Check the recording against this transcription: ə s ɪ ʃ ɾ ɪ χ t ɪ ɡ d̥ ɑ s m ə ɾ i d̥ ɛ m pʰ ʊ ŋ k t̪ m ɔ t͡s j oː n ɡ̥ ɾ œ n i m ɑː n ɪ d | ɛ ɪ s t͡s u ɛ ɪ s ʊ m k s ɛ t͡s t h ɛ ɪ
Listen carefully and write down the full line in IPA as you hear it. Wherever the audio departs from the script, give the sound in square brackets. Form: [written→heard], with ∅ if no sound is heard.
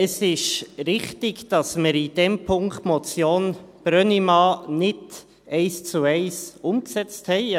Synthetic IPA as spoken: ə s ɪ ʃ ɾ ɪ χ t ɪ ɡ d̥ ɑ s m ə ɾ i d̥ ɛ m pʰ ʊ ŋ k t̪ m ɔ t͡s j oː n [ɡ̥→b̥] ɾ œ n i m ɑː n ɪ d | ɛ ɪ s t͡s u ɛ ɪ s ʊ m k s ɛ t͡s t h ɛ ɪ